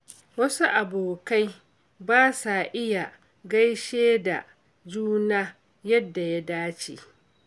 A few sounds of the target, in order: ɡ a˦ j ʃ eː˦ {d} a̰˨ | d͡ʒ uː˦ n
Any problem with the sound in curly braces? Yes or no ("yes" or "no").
no